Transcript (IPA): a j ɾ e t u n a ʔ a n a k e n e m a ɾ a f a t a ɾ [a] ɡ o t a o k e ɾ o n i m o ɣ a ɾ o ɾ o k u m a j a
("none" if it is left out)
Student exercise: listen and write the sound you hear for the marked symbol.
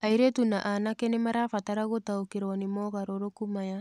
a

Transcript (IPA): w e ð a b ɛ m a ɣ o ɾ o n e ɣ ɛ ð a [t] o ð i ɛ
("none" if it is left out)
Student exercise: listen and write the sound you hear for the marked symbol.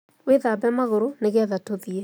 t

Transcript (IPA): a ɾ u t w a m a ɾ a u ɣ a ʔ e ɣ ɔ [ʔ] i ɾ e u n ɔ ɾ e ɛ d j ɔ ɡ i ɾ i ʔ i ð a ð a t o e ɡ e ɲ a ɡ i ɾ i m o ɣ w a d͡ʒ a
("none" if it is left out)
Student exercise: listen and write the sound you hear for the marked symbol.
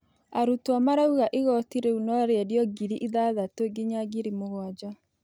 t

